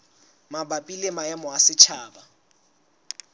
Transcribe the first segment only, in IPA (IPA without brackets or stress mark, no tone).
m